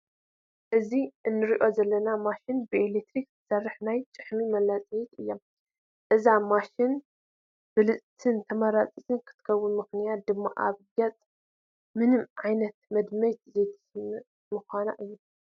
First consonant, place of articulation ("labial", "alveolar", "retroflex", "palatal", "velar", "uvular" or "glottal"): glottal